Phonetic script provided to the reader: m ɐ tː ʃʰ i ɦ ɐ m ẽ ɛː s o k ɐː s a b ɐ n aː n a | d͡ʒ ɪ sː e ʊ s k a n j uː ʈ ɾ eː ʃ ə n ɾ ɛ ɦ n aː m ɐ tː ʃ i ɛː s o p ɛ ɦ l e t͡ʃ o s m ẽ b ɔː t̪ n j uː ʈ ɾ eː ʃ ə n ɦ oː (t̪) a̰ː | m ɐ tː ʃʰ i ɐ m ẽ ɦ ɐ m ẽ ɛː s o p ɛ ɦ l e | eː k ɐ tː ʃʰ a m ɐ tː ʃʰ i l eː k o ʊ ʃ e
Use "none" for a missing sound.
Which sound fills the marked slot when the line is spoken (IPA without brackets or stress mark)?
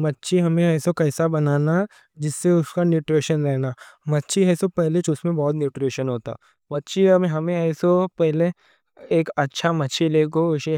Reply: t̪